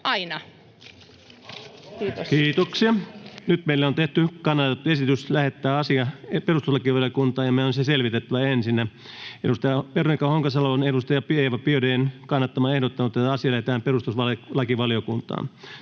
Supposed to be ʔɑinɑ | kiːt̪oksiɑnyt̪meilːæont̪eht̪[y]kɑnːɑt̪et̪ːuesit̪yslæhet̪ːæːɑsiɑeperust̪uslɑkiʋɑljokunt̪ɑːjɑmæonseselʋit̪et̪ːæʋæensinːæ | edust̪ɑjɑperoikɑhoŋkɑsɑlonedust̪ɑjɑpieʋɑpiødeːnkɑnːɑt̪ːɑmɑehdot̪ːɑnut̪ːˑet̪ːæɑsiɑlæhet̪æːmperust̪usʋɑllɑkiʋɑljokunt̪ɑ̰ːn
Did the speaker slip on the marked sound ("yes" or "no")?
no